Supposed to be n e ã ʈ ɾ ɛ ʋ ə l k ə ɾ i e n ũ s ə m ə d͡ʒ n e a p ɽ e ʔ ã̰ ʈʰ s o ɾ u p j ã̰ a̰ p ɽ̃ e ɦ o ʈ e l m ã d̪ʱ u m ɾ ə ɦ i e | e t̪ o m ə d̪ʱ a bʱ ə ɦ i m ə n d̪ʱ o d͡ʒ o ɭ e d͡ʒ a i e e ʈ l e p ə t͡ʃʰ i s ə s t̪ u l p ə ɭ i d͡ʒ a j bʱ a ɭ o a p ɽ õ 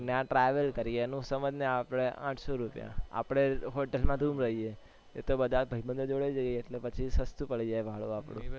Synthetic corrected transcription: n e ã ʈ ɾ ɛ ʋ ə l k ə ɾ i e n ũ s ə m ə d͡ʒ n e a p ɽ e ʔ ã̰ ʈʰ s o ɾ u p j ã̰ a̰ p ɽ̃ e ɦ o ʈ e l m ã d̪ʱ u m ɾ ə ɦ i e | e t̪ o b ə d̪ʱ a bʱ ə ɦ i b ə n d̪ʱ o d͡ʒ o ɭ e d͡ʒ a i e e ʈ l e p ə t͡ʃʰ i s ə s t̪ u p ə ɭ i d͡ʒ a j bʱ a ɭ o a p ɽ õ

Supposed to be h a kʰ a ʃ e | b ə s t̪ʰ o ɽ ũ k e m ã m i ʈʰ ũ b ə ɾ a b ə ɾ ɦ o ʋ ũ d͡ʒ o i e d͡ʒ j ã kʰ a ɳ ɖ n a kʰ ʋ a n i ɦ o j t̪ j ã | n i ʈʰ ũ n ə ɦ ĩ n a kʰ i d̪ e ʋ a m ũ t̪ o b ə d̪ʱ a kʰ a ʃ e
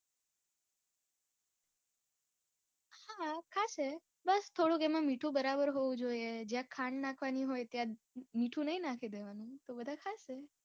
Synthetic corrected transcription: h a kʰ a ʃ e | b ə s t̪ʰ o ɽ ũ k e m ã m i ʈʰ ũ b ə ɾ a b ə ɾ ɦ o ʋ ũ d͡ʒ o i e d͡ʒ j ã kʰ a ɳ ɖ n a kʰ ʋ a n i ɦ o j t̪ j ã | m i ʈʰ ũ n ə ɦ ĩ n a kʰ i d̪ e ʋ a n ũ t̪ o b ə d̪ʱ a kʰ a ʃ e

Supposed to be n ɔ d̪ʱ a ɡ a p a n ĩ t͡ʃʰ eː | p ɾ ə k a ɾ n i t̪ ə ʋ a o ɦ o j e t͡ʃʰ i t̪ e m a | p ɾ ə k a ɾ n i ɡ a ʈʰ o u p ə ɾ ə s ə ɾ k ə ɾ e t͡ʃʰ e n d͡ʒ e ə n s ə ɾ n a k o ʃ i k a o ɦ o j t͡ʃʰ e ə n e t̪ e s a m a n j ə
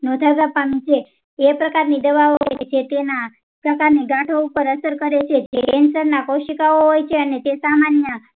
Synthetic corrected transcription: n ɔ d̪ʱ a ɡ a p a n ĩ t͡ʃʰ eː | p ɾ ə k a ɾ n i d̪ ə ʋ a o ɦ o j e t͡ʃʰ e t̪ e n a | p ɾ ə k a ɾ n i ɡ a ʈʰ o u p ə ɾ ə s ə ɾ k ə ɾ e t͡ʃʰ e d͡ʒ e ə n s ə ɾ n a k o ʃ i k a o ɦ o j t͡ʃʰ e ə n e t̪ e s a m a n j ə

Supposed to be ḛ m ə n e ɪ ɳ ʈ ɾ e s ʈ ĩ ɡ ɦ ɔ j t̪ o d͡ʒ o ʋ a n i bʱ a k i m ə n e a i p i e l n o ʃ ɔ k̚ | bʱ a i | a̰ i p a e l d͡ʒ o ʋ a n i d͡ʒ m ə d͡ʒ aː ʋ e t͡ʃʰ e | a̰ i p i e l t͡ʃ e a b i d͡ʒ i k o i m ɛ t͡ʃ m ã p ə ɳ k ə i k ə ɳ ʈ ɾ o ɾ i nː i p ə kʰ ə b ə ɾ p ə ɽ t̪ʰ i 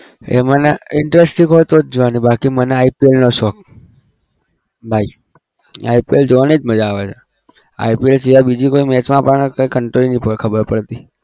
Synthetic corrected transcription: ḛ m ə n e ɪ ɳ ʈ ɾ e s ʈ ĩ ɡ ɦ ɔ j t̪ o d͡ʒ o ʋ a n i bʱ a k i m ə n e a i p i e l n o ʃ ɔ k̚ | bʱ a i | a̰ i p i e l d͡ʒ o ʋ a n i d͡ʒ m ə d͡ʒ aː ʋ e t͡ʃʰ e | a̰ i p i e l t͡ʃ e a b i d͡ʒ i k o i m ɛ t͡ʃ m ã p ə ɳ k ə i k ə ɳ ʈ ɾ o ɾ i n i p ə kʰ ə b ə ɾ p ə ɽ t̪ i

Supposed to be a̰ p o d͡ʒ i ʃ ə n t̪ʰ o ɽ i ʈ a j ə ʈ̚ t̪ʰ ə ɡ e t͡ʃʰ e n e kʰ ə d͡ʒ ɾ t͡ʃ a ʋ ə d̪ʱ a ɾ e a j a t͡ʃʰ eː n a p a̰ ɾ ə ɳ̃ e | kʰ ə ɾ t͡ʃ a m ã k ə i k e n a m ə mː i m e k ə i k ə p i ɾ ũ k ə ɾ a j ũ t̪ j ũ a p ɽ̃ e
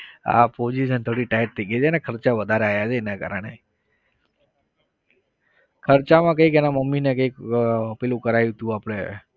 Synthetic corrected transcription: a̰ p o d͡ʒ i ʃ ə n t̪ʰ o ɽ i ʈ a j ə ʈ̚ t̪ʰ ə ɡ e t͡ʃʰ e n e kʰ ə ɾ t͡ʃ a ʋ ə d̪ʱ a ɾ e a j a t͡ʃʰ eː n a k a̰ ɾ ə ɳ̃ e | kʰ ə ɾ t͡ʃ a m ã k ə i k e n a m ə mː i n e k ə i k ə p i l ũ k ə ɾ a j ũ t̪ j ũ a p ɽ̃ e

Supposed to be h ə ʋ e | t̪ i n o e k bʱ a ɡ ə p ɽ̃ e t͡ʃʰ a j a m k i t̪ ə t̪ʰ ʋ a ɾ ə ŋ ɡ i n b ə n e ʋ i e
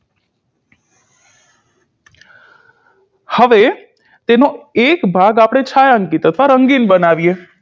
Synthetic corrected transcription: h ə ʋ e | t̪ e n o e k bʱ a ɡ a p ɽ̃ e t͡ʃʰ a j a ŋ k i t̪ ə t̪ʰ ʋ a ɾ ə ŋ ɡ i n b ə n a ʋ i e

